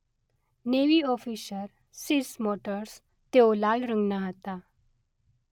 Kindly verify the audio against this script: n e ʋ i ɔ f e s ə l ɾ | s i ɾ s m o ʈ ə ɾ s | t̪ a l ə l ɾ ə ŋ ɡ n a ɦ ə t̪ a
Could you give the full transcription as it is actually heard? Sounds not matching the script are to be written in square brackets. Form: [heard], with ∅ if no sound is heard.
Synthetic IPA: n e ʋ i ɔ f [i] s ə [∅] ɾ | s i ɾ s m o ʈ ə ɾ s | t̪ [e] l [a] l ɾ ə ŋ ɡ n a ɦ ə t̪ a